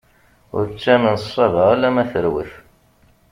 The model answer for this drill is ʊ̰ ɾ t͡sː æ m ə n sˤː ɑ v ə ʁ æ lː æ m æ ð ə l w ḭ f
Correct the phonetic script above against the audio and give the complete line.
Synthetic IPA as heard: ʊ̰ ɾ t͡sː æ m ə n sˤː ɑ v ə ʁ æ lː æ m æ θ ə ɾ w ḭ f